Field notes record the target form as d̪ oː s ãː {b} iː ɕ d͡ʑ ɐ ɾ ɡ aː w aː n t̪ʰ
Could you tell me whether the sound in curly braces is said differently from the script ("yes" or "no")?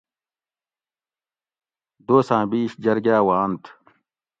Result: no